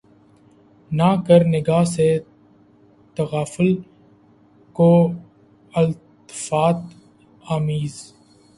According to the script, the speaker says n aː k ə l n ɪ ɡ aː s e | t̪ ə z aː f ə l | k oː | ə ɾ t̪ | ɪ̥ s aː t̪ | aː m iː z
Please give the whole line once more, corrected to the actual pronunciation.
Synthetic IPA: n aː k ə ɾ n ɪ ɡ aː s e | t̪ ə ɣ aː f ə l | k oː | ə l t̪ | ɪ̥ f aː t̪ | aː m iː z